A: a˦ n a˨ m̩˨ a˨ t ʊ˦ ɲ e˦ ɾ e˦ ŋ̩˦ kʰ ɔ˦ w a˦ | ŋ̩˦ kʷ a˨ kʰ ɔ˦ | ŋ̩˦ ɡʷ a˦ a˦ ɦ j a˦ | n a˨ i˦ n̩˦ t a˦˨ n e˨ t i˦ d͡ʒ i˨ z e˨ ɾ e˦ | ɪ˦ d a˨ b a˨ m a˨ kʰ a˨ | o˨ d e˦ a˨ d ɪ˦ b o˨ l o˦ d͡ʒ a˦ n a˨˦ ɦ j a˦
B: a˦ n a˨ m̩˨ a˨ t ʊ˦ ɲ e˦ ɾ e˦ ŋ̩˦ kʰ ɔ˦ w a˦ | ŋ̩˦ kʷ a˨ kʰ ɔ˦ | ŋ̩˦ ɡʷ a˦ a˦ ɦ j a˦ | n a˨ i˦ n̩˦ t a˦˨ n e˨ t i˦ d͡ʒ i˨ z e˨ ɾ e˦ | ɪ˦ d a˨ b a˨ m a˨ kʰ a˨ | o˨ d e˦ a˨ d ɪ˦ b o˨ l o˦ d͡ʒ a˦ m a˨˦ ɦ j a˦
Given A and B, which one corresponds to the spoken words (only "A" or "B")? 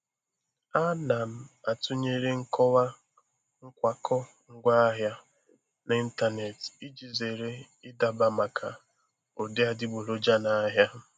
A